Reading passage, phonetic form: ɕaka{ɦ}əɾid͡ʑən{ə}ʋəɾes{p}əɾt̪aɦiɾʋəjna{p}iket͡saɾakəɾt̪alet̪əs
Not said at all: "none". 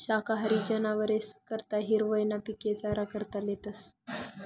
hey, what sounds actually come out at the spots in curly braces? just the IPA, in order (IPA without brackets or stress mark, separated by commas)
ɦ, a, k, p